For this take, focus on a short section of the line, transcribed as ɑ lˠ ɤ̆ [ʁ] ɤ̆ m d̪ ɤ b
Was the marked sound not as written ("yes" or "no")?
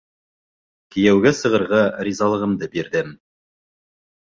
no